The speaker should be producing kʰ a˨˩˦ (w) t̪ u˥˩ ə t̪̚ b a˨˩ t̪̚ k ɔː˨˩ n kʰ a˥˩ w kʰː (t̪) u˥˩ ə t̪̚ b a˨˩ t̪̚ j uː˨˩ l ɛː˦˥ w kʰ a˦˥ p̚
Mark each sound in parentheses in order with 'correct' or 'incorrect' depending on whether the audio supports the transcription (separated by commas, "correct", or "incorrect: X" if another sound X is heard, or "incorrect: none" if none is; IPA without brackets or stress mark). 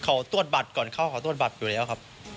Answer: correct, correct